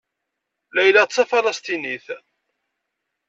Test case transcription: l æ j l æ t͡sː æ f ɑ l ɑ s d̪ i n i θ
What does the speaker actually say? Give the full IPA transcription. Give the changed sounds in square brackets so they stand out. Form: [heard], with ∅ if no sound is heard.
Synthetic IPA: l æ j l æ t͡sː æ f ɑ l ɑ s [t̪] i n i θ